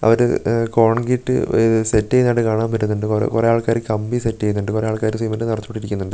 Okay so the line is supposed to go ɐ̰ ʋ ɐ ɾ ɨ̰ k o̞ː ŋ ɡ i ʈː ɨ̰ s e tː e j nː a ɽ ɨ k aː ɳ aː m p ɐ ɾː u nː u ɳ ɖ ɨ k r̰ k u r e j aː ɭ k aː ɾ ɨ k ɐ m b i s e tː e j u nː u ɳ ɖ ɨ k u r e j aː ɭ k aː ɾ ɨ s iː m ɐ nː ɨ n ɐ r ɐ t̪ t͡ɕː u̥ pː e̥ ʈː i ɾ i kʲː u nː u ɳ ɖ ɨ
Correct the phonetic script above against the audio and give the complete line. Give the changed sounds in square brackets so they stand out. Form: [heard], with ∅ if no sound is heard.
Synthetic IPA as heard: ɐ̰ ʋ ɐ ɾ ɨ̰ k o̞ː [ɳ] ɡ i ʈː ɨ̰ s e tː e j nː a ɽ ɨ k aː ɳ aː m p ɐ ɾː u nː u ɳ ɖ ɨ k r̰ k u r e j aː ɭ k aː ɾ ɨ k ɐ m b i s e tː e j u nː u ɳ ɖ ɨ k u r e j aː ɭ k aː ɾ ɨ s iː m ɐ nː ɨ n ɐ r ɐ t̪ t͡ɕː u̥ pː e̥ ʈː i ɾ i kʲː u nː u ɳ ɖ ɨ